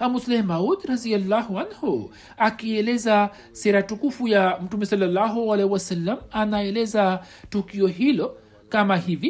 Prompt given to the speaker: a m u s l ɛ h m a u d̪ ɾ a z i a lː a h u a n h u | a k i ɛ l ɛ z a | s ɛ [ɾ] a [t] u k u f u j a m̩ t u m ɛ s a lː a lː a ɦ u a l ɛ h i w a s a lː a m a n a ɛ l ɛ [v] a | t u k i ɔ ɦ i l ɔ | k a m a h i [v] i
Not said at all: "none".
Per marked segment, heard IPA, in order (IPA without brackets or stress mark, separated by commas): ɾ, t, z, v